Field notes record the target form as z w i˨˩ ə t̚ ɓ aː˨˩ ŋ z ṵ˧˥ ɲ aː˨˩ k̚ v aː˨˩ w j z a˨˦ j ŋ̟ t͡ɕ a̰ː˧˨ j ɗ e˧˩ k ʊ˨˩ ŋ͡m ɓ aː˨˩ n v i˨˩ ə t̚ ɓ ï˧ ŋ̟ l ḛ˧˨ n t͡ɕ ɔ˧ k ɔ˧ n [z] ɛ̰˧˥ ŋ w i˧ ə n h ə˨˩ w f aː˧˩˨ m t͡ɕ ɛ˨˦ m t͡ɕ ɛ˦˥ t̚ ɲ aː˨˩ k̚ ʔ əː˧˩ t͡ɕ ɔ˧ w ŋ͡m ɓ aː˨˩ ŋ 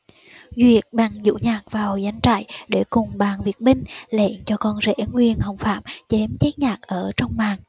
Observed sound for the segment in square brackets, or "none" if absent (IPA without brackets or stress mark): z